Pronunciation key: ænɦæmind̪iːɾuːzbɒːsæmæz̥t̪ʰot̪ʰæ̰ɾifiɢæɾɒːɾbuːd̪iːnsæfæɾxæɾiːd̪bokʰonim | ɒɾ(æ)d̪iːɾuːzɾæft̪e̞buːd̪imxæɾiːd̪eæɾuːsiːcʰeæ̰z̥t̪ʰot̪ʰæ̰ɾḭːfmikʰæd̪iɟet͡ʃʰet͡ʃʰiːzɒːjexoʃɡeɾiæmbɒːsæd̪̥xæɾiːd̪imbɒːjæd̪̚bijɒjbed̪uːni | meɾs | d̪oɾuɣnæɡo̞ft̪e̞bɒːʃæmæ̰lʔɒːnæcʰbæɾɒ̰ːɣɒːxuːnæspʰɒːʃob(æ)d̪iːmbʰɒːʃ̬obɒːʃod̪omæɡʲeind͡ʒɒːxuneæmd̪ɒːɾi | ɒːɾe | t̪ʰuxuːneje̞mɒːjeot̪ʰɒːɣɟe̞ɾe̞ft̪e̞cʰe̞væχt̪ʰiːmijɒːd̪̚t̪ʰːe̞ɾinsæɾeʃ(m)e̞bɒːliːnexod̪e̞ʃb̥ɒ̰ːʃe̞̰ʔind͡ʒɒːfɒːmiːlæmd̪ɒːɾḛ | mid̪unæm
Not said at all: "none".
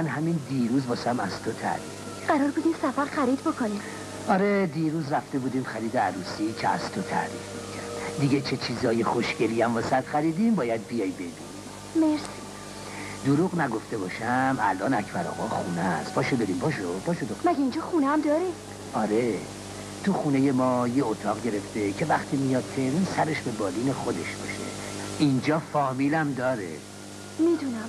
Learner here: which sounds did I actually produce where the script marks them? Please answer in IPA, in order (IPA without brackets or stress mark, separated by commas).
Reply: e, e, b